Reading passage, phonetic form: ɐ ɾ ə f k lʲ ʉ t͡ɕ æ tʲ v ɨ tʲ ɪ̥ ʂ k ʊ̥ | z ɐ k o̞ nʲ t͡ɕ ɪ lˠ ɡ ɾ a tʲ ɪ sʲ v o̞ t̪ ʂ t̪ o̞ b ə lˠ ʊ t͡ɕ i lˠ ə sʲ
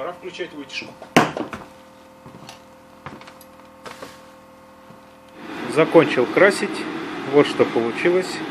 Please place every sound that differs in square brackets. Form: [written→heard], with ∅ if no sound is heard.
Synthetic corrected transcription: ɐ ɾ [ə→a] f k lʲ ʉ t͡ɕ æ tʲ v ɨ tʲ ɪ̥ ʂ k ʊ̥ | z ɐ k o̞ nʲ t͡ɕ ɪ lˠ [ɡ→k] ɾ a [tʲ→sʲ] ɪ [sʲ→tʲ] v o̞ t̪ ʂ t̪ o̞ [b→p] ə lˠ ʊ t͡ɕ i lˠ ə sʲ